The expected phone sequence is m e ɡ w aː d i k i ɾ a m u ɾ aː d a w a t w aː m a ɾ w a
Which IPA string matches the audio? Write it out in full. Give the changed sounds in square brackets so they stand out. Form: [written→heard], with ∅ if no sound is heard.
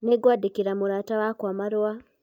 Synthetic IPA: [m→n] e ɡ w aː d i k i ɾ a m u ɾ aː [d→t] a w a [t→k] w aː m a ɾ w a